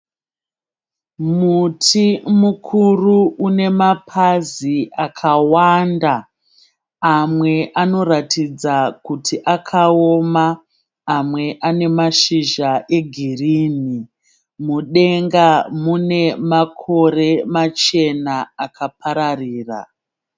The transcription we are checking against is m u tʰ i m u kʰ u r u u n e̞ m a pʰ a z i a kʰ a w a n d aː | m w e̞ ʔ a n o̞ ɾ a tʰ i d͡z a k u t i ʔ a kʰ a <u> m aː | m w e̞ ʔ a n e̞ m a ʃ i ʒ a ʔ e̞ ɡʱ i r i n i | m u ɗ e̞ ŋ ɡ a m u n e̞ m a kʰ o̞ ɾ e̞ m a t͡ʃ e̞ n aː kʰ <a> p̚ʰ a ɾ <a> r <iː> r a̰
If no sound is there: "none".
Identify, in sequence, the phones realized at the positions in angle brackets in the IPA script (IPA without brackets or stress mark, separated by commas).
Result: o, a, a, iː